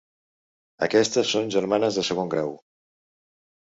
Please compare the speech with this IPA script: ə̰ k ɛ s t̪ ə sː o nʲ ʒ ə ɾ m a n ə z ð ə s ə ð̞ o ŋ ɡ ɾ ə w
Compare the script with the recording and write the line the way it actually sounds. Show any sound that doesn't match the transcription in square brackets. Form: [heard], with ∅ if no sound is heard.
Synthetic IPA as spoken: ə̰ k ɛ s t̪ ə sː o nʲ ʒ ə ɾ m a n ə z ð ə s ə [ɣ̞] o ŋ ɡ ɾ [a] w